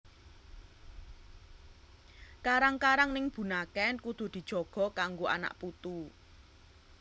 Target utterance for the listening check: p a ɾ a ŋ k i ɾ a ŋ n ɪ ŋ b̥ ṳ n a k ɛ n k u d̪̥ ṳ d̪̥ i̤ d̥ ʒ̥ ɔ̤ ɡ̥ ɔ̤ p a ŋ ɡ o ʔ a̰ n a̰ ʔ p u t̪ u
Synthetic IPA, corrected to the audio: k a ɾ a ŋ k a ɾ a ŋ n ɪ ŋ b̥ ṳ n a k ɛ n k u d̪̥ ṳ d̪̥ i̤ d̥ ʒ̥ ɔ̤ ɡ̥ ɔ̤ k a ŋ ɡ o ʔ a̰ n a̰ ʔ p u t̪ u